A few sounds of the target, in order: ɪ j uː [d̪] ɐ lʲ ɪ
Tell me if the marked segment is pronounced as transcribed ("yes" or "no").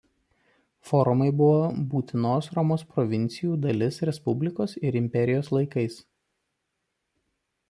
yes